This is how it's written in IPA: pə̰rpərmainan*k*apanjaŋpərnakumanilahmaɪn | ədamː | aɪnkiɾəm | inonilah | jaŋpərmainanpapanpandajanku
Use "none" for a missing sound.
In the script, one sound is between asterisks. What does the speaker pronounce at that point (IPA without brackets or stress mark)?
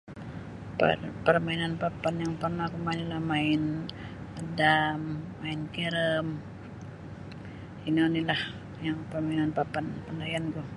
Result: p